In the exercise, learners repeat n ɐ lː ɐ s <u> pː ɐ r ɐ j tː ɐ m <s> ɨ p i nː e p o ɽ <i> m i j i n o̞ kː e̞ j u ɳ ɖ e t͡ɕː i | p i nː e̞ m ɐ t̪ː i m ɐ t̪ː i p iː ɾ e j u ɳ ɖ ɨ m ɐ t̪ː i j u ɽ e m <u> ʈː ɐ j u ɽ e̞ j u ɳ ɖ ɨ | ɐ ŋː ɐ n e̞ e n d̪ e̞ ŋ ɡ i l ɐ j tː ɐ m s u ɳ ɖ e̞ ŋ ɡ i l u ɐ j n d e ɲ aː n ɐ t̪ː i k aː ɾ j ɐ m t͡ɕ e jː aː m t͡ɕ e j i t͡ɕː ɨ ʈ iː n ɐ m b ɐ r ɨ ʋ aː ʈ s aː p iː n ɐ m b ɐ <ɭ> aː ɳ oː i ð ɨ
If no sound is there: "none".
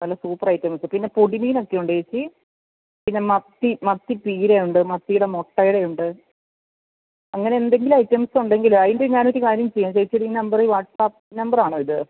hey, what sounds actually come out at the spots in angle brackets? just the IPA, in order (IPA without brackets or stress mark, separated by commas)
uː, s, i, o, r